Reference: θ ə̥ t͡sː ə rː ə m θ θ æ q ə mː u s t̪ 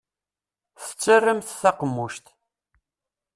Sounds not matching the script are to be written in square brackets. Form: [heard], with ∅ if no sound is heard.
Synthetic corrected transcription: θ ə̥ t͡sː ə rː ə m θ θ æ q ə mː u [ʃ] t̪